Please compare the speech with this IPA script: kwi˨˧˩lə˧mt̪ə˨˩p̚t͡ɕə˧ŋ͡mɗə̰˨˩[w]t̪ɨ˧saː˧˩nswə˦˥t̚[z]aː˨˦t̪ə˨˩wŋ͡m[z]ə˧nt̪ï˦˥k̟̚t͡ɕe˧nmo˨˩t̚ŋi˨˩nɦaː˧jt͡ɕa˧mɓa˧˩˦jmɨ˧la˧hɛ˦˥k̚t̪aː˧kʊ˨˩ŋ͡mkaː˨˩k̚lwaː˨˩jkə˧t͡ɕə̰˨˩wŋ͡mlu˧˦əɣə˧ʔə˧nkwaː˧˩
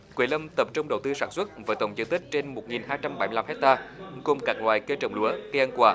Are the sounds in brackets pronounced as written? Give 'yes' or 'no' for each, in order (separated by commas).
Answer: yes, no, yes